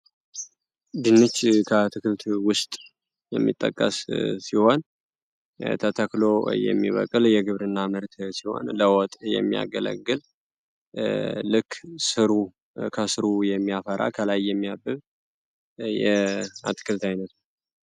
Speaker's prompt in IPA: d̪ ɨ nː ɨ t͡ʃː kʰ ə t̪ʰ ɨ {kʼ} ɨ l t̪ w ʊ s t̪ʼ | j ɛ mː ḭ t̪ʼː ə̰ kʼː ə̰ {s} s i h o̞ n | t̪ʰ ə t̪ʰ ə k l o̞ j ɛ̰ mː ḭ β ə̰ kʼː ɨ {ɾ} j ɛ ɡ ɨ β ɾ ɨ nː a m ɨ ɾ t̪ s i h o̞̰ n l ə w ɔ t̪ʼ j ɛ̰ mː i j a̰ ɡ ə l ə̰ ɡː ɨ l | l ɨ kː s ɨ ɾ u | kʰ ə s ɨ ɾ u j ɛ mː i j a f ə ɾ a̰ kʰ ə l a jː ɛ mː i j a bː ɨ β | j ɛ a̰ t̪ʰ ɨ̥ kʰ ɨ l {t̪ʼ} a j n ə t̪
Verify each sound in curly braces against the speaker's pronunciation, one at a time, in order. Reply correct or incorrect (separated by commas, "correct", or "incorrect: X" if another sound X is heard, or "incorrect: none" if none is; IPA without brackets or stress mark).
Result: incorrect: k, correct, incorrect: l, incorrect: t̪